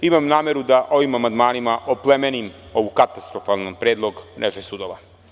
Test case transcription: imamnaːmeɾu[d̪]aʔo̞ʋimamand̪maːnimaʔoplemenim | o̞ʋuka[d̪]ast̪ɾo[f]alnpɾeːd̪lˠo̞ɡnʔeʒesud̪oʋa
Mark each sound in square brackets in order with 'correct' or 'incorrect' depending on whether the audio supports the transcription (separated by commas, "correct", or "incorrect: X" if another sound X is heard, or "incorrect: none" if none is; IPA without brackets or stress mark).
correct, incorrect: t̪, correct